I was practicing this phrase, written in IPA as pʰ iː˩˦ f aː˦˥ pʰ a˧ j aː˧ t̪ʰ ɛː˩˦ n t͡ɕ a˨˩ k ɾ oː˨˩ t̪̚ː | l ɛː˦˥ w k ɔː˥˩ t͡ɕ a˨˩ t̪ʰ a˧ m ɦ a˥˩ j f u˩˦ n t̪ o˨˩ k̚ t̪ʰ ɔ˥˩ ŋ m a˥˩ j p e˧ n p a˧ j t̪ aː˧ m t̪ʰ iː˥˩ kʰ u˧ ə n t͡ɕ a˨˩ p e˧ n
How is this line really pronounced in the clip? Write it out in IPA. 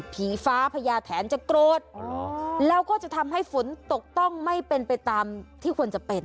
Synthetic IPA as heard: pʰ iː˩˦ f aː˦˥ pʰ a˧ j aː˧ t̪ʰ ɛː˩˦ n t͡ɕ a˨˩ k ɾ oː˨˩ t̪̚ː | l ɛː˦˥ w k ɔː˥˩ t͡ɕ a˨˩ t̪ʰ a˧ m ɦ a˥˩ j f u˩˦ n t̪ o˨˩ k̚ t̪ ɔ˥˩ ŋ m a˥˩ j p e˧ n p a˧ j t̪ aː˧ m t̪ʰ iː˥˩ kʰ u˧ ə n t͡ɕ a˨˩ p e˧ n